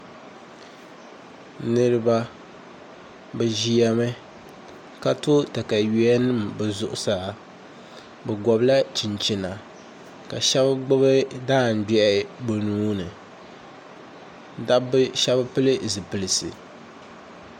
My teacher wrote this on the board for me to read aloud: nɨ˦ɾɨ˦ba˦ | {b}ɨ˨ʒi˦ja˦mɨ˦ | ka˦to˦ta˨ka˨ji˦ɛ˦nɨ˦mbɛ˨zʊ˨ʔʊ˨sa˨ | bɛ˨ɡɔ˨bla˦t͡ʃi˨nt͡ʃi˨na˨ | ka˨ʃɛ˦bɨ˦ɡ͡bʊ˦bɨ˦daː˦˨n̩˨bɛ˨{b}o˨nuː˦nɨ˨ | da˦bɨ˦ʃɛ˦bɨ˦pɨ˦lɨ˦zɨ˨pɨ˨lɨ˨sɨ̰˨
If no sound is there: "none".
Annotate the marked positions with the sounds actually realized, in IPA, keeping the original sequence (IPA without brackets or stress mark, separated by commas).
b, b